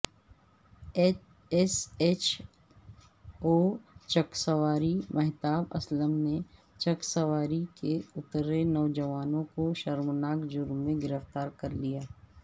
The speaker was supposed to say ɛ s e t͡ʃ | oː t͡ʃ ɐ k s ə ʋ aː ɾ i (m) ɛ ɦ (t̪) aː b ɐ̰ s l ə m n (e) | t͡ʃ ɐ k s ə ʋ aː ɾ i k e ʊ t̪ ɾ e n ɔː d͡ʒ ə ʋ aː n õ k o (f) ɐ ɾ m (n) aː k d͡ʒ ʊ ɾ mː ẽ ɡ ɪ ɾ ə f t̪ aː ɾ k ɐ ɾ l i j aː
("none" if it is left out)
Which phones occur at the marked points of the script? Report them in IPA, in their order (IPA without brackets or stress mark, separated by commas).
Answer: m, t̪, e, ʃ, n